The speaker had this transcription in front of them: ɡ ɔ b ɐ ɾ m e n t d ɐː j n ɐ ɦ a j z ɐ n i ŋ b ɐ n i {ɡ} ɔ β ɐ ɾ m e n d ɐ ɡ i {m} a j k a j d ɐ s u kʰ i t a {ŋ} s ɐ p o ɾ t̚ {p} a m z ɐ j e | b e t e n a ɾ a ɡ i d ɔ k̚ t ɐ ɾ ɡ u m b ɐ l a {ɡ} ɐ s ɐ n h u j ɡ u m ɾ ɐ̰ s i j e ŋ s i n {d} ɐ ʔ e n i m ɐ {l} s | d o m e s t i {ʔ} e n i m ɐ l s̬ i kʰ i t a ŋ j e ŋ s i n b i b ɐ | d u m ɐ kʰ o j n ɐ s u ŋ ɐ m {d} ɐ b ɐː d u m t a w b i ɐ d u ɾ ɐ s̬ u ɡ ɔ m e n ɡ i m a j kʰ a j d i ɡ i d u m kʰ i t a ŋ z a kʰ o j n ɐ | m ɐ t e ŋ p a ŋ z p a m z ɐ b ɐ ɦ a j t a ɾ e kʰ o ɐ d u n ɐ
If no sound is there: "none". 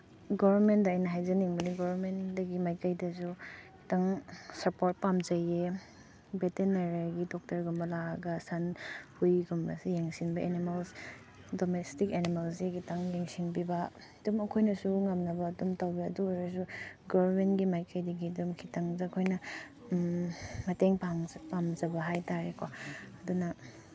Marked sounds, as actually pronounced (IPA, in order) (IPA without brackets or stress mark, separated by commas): ɡ, m, ŋ, p, ɡ, b, l, k, n